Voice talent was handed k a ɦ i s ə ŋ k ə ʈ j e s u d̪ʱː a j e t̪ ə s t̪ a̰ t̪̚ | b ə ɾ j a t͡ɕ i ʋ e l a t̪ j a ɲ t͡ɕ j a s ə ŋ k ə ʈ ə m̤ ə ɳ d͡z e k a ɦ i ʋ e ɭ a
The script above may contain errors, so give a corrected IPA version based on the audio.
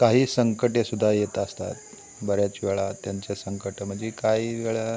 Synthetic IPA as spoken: k a ɦ iː s ə ŋ k ə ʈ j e s u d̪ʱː a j e t̪ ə s t̪ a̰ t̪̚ | b ə ɾ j a t͡ɕ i ʋ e ɭ a t̪ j a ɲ t͡ɕ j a s ə ŋ k ə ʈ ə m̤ ə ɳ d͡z e k a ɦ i ʋ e ɭ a